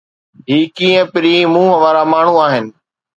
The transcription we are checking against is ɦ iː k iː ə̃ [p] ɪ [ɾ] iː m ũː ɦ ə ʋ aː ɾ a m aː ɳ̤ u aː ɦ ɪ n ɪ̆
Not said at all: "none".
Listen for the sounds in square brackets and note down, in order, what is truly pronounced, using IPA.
p, ɾ

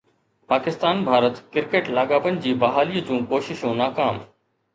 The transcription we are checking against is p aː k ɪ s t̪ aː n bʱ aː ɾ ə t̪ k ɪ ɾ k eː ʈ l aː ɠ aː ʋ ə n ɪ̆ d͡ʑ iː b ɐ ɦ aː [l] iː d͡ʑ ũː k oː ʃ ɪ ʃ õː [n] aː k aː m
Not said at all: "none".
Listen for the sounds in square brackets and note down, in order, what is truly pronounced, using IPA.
l, n

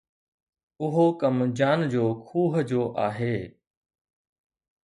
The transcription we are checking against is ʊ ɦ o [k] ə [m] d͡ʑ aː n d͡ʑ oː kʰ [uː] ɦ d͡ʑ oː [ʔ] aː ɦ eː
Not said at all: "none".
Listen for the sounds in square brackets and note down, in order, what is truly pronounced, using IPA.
k, m, uː, ʔ

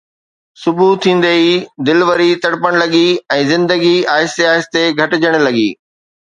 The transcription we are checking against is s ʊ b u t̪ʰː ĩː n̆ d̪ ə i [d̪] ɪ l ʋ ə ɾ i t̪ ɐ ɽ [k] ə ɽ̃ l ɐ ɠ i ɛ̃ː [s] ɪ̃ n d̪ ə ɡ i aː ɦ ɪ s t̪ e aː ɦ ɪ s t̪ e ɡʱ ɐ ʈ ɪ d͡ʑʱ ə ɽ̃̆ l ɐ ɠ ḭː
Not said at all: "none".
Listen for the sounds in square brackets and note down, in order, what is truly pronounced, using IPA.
d̪, p, z

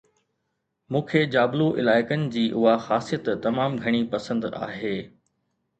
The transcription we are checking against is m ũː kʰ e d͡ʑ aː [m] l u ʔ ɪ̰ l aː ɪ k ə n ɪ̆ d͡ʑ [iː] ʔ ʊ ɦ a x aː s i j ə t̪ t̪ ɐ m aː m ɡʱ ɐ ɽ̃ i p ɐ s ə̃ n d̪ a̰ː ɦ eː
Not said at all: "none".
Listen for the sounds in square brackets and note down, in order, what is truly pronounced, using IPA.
b, iː

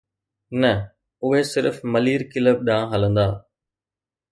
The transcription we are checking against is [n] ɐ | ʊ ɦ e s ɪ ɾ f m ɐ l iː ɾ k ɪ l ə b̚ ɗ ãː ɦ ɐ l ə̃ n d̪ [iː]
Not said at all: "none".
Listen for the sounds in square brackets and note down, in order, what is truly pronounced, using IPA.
n, aː

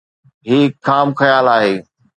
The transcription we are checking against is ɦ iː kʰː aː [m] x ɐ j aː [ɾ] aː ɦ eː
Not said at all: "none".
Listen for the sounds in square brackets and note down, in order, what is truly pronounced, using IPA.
m, l

